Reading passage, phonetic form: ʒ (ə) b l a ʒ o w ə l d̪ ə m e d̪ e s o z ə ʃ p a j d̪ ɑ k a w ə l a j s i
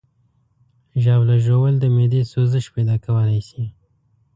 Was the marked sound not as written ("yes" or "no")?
yes